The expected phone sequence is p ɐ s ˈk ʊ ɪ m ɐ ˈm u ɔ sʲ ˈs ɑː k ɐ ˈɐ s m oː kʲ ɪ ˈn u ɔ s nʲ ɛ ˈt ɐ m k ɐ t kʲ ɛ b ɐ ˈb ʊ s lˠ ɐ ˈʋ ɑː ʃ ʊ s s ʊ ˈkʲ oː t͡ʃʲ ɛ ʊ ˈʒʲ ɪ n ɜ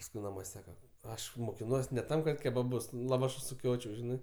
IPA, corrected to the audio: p ɐ s ˈk ʊ ɪ n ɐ ˈm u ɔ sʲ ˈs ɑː k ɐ ˈɐ ʃ m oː kʲ ɪ ˈn u ɔ s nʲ ɛ ˈt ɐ m k ɐ t kʲ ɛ b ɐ ˈb ʊ s lˠ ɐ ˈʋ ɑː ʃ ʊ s s ʊ ˈkʲ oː t͡ʃʲ ɛ ʊ ˈʒʲ ɪ n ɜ